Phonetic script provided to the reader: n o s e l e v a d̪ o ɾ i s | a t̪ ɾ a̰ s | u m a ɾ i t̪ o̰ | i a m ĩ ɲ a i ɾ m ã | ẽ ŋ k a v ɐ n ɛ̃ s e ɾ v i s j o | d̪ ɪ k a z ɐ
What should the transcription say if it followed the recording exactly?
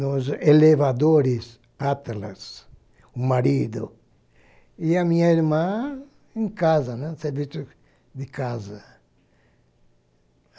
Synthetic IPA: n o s e l e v a d̪ o ɾ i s | a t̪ l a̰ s | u m a ɾ i d̪ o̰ | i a m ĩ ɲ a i ɾ m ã | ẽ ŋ k a z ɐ n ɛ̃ s e ɾ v i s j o | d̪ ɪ k a z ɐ